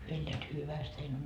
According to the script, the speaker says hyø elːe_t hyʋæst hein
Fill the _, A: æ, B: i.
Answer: A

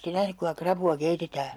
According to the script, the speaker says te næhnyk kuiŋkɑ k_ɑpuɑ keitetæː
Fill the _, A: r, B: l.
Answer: A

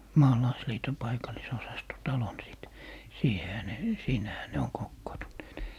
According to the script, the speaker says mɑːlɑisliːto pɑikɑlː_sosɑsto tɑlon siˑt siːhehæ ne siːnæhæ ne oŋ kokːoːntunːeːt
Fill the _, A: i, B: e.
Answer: A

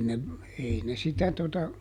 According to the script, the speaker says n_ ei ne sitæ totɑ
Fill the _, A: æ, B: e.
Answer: B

